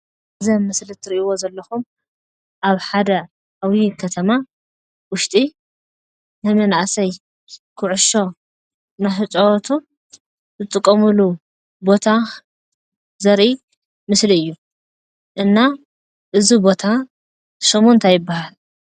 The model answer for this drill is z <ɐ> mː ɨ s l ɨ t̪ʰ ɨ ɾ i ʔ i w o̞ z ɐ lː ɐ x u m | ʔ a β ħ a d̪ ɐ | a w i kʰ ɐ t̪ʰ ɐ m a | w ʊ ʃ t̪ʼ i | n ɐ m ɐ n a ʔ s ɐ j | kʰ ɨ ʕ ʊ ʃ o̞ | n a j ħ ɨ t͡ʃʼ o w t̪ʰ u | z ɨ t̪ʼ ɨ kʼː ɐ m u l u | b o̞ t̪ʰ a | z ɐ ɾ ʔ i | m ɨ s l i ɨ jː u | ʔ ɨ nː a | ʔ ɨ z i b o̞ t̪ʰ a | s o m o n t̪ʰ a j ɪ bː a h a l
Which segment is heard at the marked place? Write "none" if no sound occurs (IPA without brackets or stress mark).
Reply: ɐ